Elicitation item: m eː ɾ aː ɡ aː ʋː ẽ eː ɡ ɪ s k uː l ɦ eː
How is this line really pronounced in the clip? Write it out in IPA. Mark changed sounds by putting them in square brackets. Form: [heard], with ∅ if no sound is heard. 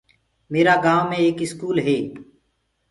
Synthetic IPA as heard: m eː ɾ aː ɡ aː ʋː ẽ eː [k] ɪ s k uː l ɦ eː